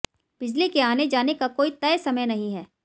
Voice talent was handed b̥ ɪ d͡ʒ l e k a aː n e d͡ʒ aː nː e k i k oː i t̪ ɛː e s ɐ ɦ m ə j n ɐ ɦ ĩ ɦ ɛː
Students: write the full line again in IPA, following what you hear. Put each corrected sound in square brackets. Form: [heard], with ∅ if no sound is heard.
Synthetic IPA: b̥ ɪ d͡ʒ l [i] k [e] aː n e d͡ʒ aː [n] e k [a] k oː i t̪ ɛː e s ɐ [∅] m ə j n ɐ ɦ ĩ ɦ ɛː